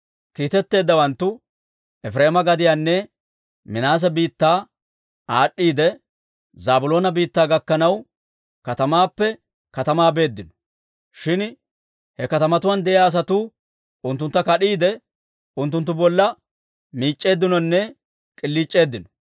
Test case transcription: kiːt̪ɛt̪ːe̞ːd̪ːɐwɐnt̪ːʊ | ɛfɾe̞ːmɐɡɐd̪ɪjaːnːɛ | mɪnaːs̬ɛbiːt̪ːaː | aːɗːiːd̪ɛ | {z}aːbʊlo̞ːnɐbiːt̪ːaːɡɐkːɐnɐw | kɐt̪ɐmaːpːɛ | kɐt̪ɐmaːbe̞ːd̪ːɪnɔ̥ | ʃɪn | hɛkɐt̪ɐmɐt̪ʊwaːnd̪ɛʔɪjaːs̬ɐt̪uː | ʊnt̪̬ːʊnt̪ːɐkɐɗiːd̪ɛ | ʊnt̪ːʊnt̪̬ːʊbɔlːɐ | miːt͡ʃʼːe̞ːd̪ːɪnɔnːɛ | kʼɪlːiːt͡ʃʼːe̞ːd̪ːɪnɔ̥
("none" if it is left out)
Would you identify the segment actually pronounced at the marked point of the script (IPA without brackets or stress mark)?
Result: z